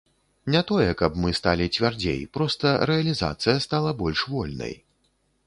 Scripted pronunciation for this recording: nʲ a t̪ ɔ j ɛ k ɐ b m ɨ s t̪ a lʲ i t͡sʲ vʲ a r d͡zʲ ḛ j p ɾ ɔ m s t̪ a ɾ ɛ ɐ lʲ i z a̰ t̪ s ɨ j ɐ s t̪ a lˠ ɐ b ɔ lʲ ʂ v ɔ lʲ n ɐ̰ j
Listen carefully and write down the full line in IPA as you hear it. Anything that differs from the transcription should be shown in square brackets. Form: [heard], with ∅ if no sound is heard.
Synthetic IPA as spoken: nʲ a t̪ ɔ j ɛ k ɐ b m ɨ s t̪ a lʲ i t͡sʲ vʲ a r d͡zʲ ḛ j p ɾ ɔ [∅] s t̪ [ɐ] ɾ ɛ ɐ lʲ i z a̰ t̪ s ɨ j ɐ s t̪ a lˠ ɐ b ɔ lʲ ʂ v ɔ lʲ n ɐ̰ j

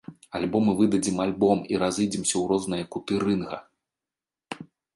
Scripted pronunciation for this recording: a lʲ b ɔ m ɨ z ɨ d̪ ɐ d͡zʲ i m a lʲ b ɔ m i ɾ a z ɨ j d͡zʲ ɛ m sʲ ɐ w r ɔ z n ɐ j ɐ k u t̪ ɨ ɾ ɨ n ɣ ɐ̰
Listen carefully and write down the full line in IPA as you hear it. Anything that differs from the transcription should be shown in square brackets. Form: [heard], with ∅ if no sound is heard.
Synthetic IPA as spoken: a lʲ b ɔ m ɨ [v] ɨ d̪ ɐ d͡zʲ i m a lʲ b ɔ m i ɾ a z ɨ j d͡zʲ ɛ m sʲ ɐ w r ɔ z n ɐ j ɐ k u t̪ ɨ ɾ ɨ n ɣ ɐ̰

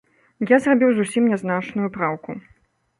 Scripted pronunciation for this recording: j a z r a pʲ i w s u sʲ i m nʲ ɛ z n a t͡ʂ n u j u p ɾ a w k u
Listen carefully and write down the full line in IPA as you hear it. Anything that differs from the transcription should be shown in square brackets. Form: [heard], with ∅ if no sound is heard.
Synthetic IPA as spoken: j a z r a [bʲ] i w [z] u sʲ i m nʲ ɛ z n a t͡ʂ n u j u p ɾ a w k u

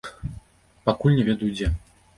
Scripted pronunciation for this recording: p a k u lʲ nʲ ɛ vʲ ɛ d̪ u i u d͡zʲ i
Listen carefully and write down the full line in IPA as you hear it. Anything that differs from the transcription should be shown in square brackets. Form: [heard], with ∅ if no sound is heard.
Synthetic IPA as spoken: p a k u lʲ nʲ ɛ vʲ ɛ d̪ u [j] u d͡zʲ [ɛ]

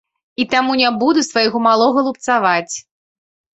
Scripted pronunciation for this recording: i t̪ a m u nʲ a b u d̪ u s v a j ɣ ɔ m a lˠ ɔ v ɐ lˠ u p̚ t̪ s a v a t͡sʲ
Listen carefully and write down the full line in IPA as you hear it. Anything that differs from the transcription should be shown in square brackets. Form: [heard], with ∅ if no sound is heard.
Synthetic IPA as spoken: i t̪ a m u nʲ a b u d̪ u s v a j ɣ ɔ m a lˠ ɔ [ɣ] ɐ lˠ u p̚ t̪ s a v a t͡sʲ

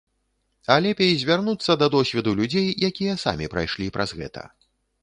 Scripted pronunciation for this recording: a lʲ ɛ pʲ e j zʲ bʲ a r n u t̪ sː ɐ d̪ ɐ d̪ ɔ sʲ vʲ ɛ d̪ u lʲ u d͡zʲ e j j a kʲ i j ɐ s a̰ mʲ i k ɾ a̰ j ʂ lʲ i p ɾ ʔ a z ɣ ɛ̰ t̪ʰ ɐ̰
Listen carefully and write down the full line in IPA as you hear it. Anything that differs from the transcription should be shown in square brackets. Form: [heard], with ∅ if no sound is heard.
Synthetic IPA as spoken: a lʲ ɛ pʲ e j zʲ [vʲ] a r n u t̪ sː ɐ d̪ ɐ d̪ ɔ sʲ vʲ ɛ d̪ u lʲ u d͡zʲ e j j a kʲ i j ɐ s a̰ mʲ i [p] ɾ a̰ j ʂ lʲ i p ɾ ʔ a z ɣ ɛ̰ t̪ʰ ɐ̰

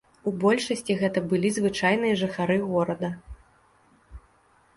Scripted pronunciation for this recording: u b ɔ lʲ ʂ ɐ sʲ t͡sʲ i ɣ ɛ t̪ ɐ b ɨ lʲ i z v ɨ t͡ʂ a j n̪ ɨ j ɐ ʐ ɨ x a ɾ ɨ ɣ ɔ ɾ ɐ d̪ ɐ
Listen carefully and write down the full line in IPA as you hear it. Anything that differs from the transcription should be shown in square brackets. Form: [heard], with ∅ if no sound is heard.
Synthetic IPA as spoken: u b ɔ lʲ ʂ ɐ sʲ t͡sʲ i ɣ ɛ t̪ ɐ b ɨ lʲ i z v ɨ t͡ʂ a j n̪ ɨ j ɐ ʐ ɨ x a ɾ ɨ ɣ ɔ ɾ ɐ d̪ ɐ

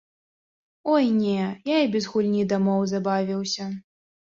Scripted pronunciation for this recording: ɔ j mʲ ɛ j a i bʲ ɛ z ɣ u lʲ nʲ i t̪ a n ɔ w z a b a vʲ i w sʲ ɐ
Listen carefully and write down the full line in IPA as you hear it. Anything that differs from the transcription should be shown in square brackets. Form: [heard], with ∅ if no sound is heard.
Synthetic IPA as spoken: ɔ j [nʲ] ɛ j a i bʲ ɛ z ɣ u lʲ nʲ i [d̪] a [m] ɔ w z a b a vʲ i w sʲ ɐ

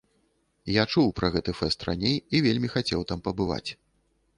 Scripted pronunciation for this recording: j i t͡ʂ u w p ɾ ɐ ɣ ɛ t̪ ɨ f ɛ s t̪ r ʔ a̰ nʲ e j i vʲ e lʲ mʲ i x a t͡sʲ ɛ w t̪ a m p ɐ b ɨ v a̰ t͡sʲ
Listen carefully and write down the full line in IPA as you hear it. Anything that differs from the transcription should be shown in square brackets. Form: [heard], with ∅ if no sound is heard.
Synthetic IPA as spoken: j [a] t͡ʂ u w p ɾ ɐ ɣ ɛ t̪ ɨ f ɛ s t̪ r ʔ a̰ nʲ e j i vʲ e lʲ mʲ i x a t͡sʲ ɛ w t̪ a m p ɐ b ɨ v a̰ t͡sʲ

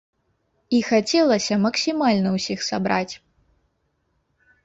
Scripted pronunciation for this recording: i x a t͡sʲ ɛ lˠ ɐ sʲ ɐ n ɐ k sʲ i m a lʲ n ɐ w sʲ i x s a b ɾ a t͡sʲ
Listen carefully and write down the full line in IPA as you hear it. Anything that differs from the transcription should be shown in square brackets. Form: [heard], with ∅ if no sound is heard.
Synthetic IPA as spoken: i x a t͡sʲ ɛ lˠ ɐ sʲ ɐ [m] ɐ k sʲ i m a lʲ n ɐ w sʲ i x s a b ɾ a t͡sʲ

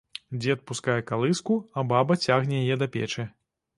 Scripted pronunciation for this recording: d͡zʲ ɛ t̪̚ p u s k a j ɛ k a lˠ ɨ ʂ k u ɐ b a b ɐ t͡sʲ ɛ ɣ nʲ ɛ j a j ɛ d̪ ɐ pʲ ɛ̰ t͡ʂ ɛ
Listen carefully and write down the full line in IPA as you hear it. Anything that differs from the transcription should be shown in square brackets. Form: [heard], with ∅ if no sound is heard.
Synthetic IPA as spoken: d͡zʲ ɛ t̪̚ p u s k a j ɛ k a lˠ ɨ [s] k u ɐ b a b ɐ t͡sʲ [a] ɣ nʲ ɛ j a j ɛ d̪ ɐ pʲ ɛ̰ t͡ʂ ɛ

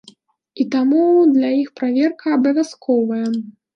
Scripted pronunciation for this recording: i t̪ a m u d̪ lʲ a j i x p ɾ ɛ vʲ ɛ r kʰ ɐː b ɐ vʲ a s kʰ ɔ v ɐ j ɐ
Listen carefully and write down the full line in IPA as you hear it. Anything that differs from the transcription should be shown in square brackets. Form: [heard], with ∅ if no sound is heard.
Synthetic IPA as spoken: i t̪ a m u d̪ lʲ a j i x p ɾ [a] vʲ ɛ r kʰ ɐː b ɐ vʲ a s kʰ ɔ v ɐ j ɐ

